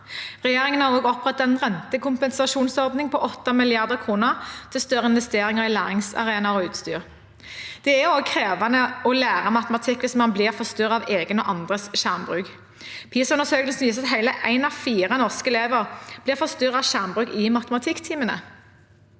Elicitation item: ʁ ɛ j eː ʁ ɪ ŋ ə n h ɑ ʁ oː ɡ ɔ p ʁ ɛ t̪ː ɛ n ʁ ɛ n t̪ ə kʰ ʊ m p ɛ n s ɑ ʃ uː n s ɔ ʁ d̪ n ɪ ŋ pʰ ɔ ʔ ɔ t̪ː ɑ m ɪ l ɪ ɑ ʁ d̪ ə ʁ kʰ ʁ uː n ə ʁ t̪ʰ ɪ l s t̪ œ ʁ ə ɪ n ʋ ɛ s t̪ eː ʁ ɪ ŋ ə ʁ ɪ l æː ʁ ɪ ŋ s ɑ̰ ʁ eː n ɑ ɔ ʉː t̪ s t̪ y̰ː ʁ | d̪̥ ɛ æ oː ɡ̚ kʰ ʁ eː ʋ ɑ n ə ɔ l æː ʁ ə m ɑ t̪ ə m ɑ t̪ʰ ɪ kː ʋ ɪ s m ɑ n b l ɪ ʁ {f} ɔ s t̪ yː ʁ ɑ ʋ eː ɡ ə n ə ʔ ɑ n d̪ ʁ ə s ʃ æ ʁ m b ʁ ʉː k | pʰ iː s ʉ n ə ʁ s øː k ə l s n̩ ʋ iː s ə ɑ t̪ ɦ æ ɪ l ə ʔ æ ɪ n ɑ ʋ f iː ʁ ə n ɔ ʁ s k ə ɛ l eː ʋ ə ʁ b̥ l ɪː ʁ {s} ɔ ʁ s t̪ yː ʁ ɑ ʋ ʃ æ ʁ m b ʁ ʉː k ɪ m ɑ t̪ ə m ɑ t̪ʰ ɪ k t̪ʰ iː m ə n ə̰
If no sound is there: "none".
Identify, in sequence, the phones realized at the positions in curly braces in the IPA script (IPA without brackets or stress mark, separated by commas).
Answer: f, f